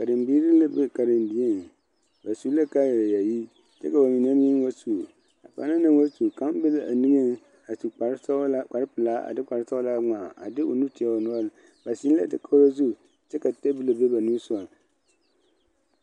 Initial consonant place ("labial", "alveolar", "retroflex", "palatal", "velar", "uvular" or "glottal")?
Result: velar